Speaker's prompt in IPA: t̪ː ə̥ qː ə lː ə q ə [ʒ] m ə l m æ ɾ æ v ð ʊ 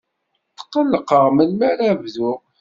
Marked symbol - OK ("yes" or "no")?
no